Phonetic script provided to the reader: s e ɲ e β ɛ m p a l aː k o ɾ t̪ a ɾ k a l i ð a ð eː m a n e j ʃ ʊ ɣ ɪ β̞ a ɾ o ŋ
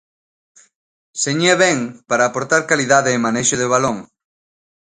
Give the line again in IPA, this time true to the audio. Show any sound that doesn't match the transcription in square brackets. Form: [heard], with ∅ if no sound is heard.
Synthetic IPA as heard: s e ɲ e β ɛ [ŋ] p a [ɾ] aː [p] o ɾ t̪ a ɾ k a l i ð a ð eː m a n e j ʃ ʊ [ð] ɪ β̞ a [l] o ŋ